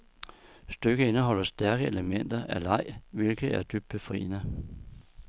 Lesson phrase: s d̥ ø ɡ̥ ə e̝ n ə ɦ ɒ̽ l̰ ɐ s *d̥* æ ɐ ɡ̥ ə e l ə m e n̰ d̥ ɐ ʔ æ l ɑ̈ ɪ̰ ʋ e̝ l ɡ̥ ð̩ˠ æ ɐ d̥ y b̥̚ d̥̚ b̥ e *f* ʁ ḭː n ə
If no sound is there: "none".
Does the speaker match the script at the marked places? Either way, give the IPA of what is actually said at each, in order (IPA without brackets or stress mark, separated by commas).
d̥, f